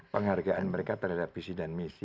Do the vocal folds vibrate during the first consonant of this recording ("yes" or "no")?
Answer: no